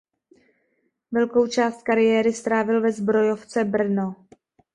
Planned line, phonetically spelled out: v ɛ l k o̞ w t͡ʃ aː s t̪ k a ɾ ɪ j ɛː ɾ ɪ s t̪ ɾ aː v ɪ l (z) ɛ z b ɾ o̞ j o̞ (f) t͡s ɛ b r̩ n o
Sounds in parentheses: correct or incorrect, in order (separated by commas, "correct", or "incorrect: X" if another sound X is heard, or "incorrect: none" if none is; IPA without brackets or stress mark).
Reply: incorrect: v, correct